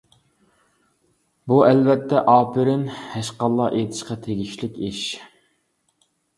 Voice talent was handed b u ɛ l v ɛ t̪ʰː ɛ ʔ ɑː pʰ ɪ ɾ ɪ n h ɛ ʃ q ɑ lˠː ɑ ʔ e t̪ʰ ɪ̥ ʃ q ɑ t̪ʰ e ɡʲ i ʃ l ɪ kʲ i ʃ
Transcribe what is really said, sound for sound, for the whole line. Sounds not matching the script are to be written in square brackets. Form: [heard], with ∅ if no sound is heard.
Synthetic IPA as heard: b u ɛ l v ɛ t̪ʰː ɛ ʔ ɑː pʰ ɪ ɾ ɪ n h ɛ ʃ q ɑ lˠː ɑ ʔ e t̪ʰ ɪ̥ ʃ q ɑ t̪ʰ e ɡʲ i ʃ l ɪ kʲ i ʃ